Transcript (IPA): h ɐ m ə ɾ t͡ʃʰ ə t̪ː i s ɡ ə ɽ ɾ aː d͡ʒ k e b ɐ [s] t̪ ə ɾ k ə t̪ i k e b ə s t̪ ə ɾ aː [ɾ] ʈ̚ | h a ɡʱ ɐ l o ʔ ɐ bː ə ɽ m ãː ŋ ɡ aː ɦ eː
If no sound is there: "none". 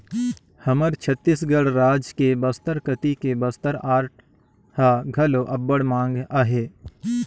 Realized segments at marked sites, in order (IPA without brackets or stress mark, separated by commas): s, ɾ